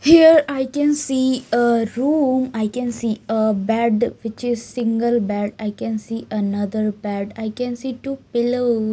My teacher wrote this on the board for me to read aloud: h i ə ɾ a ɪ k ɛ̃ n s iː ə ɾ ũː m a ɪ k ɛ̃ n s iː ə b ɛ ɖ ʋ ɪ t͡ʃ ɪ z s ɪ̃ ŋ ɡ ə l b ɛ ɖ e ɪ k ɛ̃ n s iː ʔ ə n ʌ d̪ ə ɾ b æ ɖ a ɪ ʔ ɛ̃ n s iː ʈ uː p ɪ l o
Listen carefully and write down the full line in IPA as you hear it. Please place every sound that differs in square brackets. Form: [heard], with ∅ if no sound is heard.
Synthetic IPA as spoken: h i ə ɾ a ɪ k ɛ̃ n s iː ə ɾ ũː m a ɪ k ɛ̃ n s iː ə b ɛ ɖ ʋ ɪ t͡ʃ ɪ z s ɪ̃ ŋ ɡ ə l b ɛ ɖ [a] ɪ k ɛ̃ n s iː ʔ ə n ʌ d̪ ə ɾ b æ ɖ a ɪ [k] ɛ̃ n s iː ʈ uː p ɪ l o